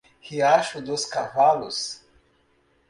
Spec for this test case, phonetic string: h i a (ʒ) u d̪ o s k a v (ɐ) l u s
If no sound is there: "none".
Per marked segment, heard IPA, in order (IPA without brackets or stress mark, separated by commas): ʃ, a